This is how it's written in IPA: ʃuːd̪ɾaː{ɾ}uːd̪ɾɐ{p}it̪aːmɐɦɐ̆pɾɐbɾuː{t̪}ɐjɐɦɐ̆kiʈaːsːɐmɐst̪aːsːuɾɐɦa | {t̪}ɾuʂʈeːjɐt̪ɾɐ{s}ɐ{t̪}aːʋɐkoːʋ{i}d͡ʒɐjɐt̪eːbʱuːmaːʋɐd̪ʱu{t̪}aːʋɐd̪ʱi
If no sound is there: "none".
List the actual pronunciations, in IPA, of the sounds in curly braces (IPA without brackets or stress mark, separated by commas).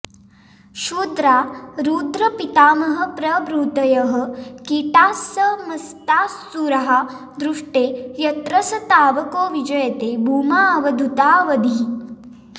ɾ, p, t̪, d̪, s, t̪, i, t̪